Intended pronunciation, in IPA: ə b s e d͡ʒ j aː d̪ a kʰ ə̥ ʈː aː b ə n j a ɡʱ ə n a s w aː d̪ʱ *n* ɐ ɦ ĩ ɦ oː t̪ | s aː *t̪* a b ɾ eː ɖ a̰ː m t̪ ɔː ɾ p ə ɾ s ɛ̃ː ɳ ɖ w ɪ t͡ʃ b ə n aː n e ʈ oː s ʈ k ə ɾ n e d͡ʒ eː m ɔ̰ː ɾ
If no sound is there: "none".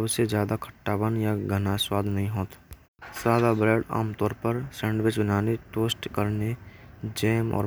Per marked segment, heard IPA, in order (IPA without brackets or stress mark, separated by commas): n, d̪